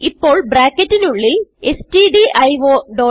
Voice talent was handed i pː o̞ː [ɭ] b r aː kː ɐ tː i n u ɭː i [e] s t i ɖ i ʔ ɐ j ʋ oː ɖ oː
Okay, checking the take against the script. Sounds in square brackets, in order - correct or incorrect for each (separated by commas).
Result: correct, correct